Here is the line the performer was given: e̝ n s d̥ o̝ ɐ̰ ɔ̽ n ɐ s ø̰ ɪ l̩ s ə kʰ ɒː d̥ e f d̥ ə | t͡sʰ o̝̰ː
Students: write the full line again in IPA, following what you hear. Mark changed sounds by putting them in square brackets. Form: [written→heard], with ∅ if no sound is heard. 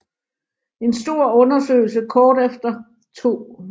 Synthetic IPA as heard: e̝ n s d̥ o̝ ɐ̰ ɔ̽ n ɐ s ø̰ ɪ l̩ s ə kʰ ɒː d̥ e f d̥ [ə→ɐ] | t͡sʰ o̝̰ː